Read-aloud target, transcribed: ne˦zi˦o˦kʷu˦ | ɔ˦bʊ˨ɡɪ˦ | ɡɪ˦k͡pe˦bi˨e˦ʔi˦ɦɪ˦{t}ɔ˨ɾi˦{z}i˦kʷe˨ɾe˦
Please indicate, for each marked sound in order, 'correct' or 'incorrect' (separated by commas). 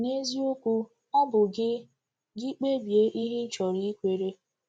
incorrect, incorrect